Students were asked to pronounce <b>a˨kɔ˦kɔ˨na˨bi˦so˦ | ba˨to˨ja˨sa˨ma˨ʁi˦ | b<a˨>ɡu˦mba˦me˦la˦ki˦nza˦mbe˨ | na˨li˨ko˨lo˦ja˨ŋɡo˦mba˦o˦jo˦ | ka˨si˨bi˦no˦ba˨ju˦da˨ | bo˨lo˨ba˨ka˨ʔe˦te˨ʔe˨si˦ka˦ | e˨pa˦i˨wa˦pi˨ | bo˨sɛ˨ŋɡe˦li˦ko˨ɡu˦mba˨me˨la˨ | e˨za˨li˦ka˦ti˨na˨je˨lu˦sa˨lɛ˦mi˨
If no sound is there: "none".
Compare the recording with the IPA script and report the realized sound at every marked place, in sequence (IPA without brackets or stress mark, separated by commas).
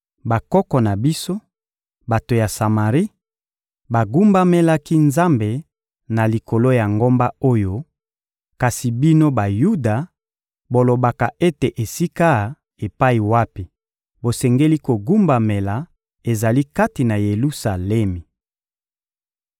b, a˨